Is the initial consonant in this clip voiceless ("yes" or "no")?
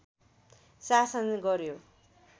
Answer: yes